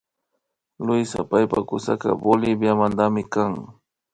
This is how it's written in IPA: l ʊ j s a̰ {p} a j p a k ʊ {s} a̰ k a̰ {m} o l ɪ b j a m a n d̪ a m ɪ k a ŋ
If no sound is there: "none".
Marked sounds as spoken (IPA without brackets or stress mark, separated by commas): p, s, b